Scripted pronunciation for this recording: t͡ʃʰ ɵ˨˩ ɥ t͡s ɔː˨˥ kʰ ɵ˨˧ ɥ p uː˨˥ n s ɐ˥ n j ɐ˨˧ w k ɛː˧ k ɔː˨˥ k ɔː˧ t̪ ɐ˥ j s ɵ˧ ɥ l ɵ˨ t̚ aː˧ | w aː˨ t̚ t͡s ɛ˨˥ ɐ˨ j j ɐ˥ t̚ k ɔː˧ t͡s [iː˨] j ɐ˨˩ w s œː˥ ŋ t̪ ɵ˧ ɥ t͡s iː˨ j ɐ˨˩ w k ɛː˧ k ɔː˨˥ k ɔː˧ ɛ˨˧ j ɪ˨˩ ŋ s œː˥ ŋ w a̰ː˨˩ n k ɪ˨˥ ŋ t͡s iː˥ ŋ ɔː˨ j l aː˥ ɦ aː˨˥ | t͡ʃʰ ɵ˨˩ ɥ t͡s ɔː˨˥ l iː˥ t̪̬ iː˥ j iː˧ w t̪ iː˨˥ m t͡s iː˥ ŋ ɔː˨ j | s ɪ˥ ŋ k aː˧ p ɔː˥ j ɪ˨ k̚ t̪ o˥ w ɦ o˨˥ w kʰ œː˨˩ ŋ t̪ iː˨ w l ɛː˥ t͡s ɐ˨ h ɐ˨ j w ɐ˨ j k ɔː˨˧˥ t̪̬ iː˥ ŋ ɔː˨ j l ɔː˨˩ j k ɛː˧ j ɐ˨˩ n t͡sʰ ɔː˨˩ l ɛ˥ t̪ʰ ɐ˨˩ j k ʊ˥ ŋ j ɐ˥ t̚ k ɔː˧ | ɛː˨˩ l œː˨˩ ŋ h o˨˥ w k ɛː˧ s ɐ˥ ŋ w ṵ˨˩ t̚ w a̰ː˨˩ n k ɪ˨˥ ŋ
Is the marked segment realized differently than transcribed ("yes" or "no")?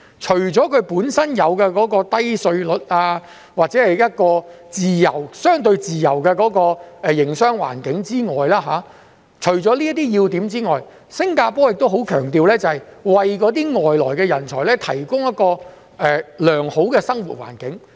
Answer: no